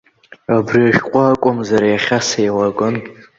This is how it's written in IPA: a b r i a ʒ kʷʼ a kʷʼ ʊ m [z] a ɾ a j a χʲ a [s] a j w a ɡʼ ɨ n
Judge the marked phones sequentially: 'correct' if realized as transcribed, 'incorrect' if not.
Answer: correct, correct

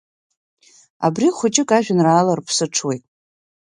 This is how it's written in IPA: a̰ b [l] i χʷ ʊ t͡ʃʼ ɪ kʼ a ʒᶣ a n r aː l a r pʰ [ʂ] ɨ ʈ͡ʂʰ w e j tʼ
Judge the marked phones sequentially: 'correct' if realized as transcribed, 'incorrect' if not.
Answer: incorrect: r, incorrect: s

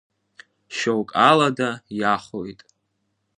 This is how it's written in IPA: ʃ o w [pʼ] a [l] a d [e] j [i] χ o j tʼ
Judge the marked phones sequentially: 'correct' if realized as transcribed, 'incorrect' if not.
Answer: incorrect: kʼ, correct, incorrect: a, incorrect: a

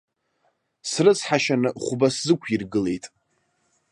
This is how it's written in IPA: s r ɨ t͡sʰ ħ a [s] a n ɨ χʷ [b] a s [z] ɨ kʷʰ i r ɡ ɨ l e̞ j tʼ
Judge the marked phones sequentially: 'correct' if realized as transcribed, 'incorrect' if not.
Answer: incorrect: ʃ, correct, correct

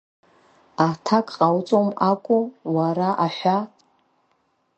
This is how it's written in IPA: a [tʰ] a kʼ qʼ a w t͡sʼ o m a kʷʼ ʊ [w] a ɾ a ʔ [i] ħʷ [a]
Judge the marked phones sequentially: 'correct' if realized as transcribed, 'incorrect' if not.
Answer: correct, correct, incorrect: a, correct

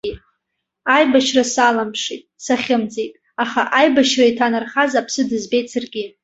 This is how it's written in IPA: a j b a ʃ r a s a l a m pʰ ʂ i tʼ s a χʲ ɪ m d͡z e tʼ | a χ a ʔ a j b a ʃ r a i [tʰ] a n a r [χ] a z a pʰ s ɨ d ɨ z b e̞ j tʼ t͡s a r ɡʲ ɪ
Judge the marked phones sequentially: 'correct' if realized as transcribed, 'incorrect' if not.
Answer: correct, correct

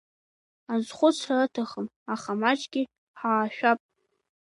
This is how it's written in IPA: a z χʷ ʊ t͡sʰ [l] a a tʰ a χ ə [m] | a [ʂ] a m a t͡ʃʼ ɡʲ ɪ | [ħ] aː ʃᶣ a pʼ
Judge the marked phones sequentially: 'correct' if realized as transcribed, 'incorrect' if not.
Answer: incorrect: r, correct, incorrect: χ, correct

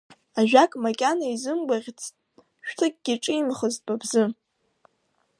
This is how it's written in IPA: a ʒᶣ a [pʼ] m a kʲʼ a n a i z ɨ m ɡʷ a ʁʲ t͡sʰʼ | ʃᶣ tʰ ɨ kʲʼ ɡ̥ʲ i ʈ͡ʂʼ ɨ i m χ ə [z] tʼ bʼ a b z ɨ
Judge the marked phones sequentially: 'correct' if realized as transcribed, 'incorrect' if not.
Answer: incorrect: kʼ, correct

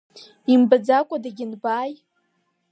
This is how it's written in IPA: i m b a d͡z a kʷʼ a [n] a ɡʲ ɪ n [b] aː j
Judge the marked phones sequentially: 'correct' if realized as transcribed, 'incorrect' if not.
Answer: incorrect: d, correct

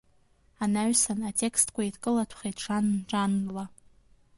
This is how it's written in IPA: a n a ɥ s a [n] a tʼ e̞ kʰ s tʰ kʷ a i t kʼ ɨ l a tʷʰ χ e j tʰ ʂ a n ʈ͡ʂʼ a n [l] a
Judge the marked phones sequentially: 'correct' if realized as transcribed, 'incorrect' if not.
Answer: correct, correct

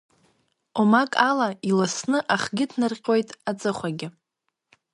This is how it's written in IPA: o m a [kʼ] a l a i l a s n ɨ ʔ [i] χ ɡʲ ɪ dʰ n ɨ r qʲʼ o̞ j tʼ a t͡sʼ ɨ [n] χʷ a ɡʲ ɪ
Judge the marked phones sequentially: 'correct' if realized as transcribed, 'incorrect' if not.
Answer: correct, incorrect: a, incorrect: none

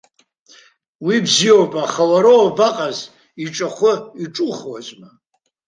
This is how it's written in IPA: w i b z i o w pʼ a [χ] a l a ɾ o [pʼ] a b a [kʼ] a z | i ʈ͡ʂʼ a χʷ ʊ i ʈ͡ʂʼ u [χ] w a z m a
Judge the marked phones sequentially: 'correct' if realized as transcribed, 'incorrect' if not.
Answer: correct, incorrect: none, incorrect: qʼ, correct

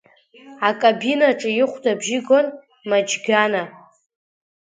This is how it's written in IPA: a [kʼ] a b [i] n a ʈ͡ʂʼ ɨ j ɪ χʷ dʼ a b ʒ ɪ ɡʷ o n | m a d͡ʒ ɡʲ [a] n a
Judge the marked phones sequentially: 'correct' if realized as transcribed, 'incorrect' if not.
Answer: correct, correct, correct

